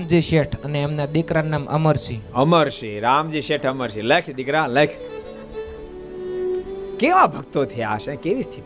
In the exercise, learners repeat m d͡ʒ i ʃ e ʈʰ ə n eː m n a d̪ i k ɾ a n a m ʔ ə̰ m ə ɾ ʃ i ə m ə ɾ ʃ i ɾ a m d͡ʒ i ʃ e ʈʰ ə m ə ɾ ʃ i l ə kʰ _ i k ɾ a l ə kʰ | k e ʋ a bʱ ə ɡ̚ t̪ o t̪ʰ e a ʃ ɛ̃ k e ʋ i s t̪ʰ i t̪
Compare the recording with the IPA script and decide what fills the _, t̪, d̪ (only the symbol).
d̪